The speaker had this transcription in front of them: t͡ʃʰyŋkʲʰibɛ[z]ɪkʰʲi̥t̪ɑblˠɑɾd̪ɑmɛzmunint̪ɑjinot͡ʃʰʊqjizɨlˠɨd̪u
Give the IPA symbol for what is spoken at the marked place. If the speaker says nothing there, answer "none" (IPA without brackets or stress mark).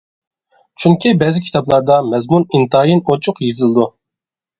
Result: z